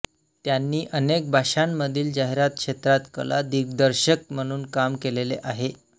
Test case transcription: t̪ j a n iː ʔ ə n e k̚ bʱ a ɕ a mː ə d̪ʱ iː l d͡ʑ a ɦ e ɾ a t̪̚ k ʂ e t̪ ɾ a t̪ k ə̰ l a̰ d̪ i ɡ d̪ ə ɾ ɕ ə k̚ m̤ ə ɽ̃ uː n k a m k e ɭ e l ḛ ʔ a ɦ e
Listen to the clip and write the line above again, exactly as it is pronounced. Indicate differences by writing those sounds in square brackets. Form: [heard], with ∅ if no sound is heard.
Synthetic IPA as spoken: t̪ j a [nː] iː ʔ ə n e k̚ bʱ a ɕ a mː ə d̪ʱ iː l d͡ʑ a ɦ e ɾ a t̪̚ k ʂ e t̪ ɾ a t̪ k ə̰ l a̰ d̪ i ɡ d̪ ə ɾ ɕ ə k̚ m̤ ə ɽ̃ uː n k a m k e [l] e l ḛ ʔ a ɦ e